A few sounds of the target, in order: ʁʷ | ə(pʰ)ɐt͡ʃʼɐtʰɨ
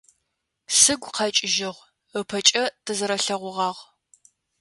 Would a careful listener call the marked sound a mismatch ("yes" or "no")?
no